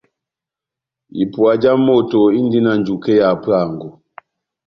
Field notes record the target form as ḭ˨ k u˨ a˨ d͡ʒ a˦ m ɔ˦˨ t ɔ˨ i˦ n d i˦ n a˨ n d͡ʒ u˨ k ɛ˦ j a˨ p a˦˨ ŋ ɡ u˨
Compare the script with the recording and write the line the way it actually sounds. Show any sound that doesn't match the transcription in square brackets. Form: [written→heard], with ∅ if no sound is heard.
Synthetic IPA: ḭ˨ [k→p] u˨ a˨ d͡ʒ a˦ m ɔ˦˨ t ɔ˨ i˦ n d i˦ n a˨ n d͡ʒ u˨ k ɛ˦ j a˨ p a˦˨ ŋ ɡ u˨